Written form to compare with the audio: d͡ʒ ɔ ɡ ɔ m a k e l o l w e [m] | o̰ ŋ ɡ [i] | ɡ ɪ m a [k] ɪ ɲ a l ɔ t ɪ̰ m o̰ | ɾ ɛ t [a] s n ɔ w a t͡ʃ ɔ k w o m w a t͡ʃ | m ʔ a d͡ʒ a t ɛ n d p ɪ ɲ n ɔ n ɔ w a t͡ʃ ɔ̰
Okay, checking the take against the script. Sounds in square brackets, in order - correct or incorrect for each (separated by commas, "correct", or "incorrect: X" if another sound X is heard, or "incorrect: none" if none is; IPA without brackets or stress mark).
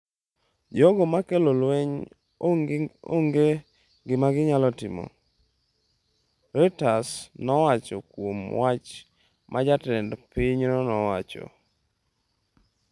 incorrect: ɲ, incorrect: e, incorrect: ɡ, correct